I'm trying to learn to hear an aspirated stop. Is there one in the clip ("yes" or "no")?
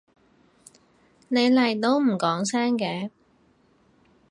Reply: no